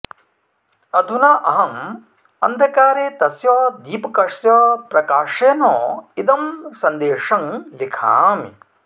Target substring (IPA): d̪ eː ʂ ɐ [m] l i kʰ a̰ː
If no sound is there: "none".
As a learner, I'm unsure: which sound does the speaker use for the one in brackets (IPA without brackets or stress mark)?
ŋ